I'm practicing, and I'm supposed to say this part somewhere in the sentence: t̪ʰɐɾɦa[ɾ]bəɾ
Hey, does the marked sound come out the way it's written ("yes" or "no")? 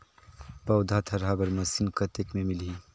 no